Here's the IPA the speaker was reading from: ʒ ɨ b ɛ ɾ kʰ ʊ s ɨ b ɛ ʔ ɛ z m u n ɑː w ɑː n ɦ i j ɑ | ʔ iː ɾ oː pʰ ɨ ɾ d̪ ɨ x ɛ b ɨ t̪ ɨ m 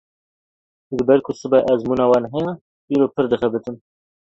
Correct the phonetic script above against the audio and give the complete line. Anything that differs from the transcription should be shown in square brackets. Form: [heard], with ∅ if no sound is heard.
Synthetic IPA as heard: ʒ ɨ b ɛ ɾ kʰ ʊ s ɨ b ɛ ʔ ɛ z m u n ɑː w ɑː n ɦ [ɛ] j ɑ | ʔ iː ɾ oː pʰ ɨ ɾ d̪ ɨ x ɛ b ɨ t̪ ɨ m